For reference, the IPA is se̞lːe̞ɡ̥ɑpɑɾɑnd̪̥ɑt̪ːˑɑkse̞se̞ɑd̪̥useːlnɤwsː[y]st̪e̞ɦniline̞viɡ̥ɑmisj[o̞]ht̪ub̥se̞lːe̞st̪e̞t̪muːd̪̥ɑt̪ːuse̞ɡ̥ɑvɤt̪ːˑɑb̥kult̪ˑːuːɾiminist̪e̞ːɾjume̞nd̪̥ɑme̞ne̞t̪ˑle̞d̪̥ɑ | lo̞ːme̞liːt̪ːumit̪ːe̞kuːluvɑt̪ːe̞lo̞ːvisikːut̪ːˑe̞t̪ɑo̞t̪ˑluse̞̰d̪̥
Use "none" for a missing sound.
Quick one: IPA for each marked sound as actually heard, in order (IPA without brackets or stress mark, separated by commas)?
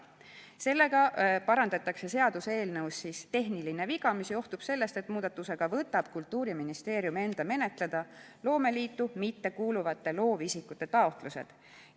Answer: i, o̞